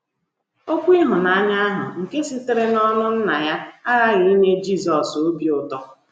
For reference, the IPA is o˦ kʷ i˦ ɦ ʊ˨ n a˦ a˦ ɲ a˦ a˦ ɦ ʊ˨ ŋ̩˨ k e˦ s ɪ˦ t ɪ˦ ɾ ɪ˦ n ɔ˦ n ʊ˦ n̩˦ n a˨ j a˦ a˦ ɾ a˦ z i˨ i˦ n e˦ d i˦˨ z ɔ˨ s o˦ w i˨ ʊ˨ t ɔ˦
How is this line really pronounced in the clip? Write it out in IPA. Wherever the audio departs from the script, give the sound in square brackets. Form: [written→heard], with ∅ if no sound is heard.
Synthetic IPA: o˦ kʷ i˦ ɦ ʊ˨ n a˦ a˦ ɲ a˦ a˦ ɦ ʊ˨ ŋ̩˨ k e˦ s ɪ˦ t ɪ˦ ɾ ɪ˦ n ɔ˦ n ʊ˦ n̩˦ n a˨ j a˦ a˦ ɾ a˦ [z→ɣ] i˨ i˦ n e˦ [d→d͡ʒ] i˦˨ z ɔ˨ s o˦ [w→b] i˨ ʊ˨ t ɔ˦

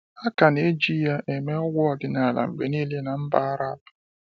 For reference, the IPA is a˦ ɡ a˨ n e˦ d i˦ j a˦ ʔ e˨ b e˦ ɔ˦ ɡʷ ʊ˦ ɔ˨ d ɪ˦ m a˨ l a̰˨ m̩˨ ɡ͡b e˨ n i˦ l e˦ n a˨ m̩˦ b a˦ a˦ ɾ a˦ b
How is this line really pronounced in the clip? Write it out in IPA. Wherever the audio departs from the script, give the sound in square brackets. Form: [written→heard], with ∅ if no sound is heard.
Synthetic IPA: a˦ [ɡ→k] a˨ n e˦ [d→d͡ʒ] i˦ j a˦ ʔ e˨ [b→m] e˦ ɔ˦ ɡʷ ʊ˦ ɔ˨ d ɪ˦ [m→n] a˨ l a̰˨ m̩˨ ɡ͡b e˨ n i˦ l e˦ n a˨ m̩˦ b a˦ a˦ ɾ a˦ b

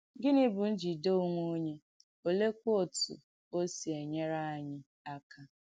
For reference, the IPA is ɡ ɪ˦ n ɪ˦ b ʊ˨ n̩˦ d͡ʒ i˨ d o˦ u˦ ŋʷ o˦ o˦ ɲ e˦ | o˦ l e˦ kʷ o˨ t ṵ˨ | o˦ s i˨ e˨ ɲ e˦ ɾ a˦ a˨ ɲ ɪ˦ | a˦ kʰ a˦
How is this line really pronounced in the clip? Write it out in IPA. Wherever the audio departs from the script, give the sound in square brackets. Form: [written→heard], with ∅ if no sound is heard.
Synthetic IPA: ɡ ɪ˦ n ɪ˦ b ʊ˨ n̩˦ d͡ʒ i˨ d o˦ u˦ ŋʷ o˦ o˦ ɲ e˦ | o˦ l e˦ kʷ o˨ t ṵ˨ | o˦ s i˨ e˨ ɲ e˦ ɾ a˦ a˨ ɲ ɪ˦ | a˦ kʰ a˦

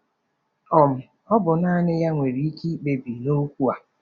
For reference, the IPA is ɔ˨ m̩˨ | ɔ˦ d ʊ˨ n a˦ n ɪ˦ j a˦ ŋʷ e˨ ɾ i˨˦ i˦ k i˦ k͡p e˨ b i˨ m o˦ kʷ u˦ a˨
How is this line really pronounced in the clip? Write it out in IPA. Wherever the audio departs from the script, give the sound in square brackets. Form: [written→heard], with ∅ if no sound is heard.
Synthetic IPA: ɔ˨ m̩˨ | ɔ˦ [d→b] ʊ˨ n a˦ n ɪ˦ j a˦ ŋʷ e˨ ɾ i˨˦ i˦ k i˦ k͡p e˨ b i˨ [m→n] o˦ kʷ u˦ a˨

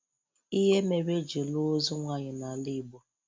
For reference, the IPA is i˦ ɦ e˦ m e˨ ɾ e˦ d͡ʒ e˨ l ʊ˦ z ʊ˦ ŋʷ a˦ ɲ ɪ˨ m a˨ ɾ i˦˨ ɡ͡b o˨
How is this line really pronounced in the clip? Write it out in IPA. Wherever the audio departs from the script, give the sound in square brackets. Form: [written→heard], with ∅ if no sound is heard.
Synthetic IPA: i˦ ɦ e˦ m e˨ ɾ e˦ d͡ʒ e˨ l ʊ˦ z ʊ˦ ŋʷ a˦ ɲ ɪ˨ [m→n] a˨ [ɾ→l] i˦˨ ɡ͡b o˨

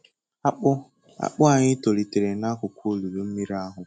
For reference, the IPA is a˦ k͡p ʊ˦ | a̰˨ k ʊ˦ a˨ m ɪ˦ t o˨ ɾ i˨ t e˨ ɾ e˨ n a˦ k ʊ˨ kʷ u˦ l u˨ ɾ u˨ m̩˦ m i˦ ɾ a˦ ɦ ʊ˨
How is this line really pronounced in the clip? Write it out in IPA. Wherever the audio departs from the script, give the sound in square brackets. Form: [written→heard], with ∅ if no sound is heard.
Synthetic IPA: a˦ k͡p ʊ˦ | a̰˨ [k→k͡p] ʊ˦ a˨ [m→ɲ] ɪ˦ t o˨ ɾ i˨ t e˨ ɾ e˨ n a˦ k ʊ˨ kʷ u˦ l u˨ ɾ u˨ m̩˦ m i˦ ɾ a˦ ɦ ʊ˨

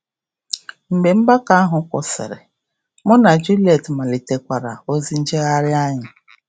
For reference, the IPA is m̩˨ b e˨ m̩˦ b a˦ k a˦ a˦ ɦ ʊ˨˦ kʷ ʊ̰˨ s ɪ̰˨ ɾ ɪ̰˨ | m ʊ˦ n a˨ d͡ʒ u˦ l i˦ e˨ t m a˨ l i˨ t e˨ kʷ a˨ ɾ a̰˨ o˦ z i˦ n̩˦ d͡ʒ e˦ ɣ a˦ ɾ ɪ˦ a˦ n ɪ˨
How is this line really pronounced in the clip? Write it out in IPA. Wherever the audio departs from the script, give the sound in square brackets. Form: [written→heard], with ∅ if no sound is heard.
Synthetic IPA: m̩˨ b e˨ m̩˦ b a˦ k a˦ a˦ ɦ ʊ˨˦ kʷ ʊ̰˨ s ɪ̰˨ ɾ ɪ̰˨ | m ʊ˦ n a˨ d͡ʒ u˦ l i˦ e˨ t m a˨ l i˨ t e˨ kʷ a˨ ɾ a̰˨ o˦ z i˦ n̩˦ d͡ʒ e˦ ɣ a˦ ɾ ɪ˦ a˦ [n→ɲ] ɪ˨

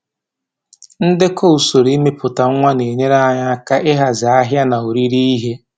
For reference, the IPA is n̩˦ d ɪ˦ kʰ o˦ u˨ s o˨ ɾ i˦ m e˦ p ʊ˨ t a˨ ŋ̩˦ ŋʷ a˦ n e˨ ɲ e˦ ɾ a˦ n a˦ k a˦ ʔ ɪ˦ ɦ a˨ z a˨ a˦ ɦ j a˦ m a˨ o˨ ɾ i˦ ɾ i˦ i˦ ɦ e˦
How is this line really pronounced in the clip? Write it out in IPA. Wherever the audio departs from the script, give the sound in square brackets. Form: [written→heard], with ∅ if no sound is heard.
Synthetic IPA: n̩˦ d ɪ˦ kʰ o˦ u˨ s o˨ ɾ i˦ m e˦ p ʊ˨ t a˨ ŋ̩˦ ŋʷ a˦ n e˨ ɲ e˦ ɾ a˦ [n→ɲ] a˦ k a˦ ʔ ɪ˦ ɦ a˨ z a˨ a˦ ɦ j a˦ [m→n] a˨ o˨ ɾ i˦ ɾ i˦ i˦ ɦ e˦

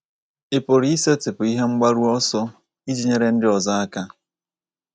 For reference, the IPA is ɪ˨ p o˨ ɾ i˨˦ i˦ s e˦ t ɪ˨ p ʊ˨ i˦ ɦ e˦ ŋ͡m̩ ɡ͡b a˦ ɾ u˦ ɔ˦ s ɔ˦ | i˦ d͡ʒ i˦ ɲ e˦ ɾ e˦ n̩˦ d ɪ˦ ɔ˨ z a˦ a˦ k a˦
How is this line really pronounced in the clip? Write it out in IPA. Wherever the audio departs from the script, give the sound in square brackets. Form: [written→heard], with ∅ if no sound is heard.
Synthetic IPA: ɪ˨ p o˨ ɾ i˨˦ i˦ s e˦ t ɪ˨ p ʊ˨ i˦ ɦ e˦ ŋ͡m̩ ɡ͡b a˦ ɾ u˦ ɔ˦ s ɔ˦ | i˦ d͡ʒ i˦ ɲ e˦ ɾ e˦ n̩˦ d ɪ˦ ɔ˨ z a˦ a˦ k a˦

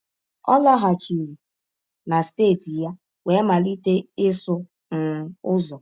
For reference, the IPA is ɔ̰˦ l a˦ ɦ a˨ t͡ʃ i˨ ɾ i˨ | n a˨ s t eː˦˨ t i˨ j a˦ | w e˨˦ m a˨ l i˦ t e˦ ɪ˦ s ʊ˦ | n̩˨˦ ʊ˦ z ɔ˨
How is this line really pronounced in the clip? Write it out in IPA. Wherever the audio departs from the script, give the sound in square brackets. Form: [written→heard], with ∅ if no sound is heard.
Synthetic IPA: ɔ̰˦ l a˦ ɦ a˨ t͡ʃ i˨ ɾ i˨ | n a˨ s t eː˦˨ t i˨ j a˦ | w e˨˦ m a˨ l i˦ t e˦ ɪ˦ s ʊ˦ | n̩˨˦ ʊ˦ z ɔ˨

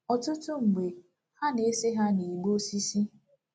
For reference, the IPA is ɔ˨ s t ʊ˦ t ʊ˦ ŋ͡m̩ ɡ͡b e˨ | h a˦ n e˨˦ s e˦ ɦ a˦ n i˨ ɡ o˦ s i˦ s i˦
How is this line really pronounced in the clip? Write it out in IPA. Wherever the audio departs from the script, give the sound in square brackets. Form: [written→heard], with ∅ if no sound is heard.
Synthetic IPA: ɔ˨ [s→∅] t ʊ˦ t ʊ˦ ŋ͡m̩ ɡ͡b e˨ | h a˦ n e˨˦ s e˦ ɦ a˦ n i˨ [ɡ→ɡ͡b] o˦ s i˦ s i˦

